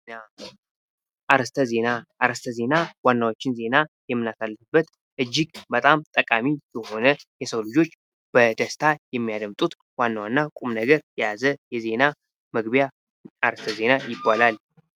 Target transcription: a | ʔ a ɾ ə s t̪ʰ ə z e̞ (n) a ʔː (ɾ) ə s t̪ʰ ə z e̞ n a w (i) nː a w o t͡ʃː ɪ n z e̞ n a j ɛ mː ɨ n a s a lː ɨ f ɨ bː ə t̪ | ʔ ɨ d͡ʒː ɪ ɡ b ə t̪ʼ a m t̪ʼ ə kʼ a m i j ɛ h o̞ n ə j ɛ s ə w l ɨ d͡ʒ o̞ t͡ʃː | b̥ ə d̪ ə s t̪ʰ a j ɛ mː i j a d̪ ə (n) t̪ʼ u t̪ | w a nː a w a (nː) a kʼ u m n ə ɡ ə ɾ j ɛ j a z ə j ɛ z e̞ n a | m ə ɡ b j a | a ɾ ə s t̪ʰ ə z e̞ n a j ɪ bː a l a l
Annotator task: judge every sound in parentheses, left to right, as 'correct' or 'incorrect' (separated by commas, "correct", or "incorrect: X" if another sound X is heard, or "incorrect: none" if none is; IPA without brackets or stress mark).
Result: correct, correct, incorrect: a, incorrect: m, correct